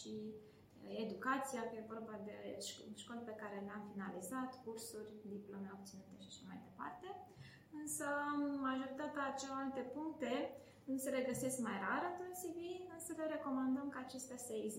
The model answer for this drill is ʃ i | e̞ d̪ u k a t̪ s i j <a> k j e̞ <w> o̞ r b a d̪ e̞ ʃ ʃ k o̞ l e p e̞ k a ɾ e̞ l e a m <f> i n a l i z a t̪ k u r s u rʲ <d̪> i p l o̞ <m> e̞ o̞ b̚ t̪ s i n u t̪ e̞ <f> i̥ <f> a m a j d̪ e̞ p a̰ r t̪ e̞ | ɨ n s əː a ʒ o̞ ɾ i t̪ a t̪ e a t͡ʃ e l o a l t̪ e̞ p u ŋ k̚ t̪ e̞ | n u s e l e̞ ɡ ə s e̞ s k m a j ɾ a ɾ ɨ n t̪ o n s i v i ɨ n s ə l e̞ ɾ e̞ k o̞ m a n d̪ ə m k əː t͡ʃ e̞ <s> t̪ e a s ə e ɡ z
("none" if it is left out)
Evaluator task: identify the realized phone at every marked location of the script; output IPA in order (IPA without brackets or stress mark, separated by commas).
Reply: a, v, f, d̪, m, ʃ, ʃ, s